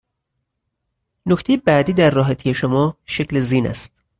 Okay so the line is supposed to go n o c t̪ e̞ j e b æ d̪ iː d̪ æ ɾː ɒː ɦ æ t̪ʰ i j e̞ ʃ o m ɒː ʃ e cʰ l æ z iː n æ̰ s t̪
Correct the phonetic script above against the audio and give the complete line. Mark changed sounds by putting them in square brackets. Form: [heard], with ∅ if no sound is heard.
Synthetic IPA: n o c t̪ e̞ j e b æ d̪ iː d̪ æ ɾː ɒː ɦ æ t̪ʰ i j e̞ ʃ o m ɒː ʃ e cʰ l [e] z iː n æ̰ s t̪